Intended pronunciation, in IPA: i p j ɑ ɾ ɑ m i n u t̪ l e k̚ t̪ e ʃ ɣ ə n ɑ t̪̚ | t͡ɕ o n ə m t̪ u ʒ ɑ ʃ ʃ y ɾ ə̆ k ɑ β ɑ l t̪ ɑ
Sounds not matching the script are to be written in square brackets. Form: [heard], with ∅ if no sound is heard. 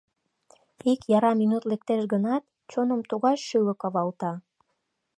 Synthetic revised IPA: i [k] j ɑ ɾ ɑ m i n u t̪ l e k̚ t̪ e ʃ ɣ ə n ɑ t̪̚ | t͡ɕ o n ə m t̪ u [ɣ] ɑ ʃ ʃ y [l] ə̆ k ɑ β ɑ l t̪ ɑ